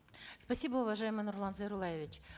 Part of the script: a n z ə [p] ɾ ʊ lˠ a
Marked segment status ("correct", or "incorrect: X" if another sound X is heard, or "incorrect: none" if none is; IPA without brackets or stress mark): incorrect: none